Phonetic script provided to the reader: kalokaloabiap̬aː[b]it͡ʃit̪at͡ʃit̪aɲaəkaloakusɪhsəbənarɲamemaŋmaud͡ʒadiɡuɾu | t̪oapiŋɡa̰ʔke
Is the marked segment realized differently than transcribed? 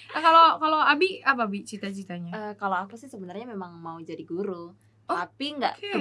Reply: no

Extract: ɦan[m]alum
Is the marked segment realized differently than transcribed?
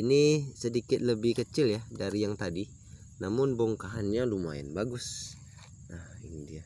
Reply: yes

